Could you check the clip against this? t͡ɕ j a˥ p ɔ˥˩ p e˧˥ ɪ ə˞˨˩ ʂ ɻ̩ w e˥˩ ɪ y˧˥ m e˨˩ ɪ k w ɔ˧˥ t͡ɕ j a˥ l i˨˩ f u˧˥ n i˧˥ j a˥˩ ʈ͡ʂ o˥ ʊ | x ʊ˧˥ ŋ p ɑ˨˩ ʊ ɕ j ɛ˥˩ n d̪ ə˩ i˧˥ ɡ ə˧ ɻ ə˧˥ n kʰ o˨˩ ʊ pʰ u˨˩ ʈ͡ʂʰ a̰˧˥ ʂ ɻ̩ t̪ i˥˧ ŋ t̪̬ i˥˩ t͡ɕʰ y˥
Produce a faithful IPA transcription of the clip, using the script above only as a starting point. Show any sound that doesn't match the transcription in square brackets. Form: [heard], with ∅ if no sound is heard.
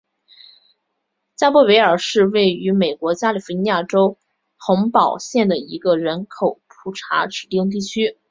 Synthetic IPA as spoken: t͡ɕ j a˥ p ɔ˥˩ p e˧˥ ɪ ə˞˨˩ ʂ ɻ̩ w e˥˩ ɪ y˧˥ m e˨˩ ɪ k w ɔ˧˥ t͡ɕ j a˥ l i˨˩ f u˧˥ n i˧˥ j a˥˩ ʈ͡ʂ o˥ ʊ | x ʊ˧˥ ŋ p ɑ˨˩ ʊ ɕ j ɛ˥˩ n d̪ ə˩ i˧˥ ɡ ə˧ ɻ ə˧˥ n kʰ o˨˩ ʊ pʰ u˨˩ ʈ͡ʂʰ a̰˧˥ [ʈ͡ʂ] ɻ̩ t̪ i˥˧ ŋ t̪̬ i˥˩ t͡ɕʰ y˥